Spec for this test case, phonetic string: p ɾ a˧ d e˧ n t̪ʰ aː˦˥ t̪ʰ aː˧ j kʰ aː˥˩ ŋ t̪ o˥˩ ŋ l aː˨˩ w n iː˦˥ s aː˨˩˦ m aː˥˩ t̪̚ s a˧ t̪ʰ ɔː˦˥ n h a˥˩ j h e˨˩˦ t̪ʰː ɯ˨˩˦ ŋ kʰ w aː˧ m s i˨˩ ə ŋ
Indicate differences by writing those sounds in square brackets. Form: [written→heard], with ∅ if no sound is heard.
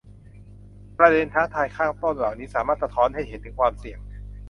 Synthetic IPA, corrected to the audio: p ɾ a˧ d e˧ n t̪ʰ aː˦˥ t̪ʰ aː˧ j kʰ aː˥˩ ŋ t̪ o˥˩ [ŋ→n] l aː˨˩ w n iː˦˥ s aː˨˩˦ m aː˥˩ t̪̚ s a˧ t̪ʰ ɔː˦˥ n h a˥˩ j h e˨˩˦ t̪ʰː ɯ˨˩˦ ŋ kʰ w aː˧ m s i˨˩ ə ŋ